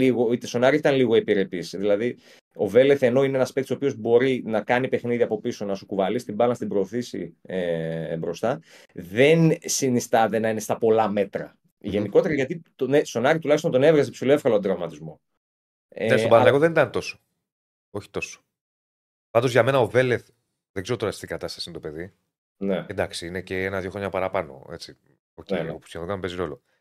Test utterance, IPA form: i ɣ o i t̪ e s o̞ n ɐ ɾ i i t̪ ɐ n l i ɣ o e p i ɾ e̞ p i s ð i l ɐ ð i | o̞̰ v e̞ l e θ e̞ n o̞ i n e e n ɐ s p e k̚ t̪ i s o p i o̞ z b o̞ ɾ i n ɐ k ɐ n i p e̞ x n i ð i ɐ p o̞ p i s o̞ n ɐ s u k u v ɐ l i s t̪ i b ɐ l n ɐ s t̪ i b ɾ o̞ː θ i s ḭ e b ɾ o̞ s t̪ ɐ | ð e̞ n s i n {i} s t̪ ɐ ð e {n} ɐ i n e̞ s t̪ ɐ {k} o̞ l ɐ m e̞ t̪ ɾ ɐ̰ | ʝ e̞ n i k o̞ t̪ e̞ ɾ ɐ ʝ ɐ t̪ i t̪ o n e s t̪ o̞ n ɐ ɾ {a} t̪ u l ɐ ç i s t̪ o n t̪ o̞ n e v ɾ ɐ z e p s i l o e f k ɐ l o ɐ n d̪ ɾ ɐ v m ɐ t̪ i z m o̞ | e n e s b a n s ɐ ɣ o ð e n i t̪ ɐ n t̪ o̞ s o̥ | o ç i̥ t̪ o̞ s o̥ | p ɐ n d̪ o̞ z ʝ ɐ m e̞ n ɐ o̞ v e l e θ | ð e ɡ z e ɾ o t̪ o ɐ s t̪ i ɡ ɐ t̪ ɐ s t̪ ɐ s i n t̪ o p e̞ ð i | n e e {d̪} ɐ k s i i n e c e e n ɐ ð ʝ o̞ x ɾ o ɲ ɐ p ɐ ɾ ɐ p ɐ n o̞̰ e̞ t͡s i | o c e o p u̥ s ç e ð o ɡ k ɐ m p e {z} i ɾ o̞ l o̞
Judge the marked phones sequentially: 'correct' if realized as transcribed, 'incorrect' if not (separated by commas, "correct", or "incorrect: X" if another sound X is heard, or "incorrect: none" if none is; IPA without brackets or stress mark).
correct, correct, incorrect: p, incorrect: i, correct, correct